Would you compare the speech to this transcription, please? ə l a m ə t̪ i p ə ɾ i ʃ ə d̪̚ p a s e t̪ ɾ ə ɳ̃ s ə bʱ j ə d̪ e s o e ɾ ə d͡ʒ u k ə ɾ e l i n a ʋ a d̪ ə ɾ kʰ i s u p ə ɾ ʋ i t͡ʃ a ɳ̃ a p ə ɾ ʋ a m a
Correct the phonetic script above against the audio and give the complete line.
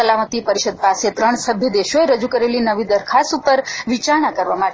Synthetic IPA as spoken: ə l a m ə t̪ i p ə ɾ i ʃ ə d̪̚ p a s e t̪ ɾ ə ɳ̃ s ə bʱ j ə d̪ e ʃ o e ɾ ə d͡ʒ u k ə ɾ e l i n ə ʋ i d̪ ə ɾ kʰ a s u p ə ɾ ʋ i t͡ʃ a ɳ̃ a k ə ɾ ʋ a m a